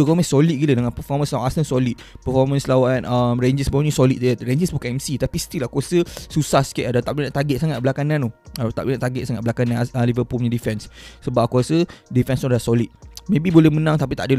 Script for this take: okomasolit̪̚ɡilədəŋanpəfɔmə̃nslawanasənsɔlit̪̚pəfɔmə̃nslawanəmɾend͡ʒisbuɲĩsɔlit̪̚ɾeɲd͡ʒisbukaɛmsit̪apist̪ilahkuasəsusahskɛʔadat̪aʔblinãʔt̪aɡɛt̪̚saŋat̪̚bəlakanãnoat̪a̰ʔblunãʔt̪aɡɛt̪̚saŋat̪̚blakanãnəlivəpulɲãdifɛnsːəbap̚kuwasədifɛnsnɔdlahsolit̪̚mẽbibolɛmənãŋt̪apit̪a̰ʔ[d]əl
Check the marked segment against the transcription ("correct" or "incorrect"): correct